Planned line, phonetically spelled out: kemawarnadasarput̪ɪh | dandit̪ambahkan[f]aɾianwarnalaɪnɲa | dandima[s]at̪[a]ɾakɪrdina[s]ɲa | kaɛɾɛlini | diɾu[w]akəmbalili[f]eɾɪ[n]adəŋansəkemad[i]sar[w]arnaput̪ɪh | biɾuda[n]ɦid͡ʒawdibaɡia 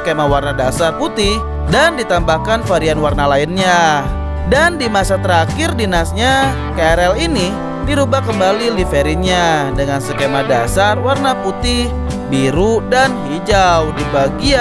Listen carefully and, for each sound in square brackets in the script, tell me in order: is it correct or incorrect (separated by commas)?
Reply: correct, correct, incorrect, correct, incorrect, correct, incorrect, incorrect, correct, correct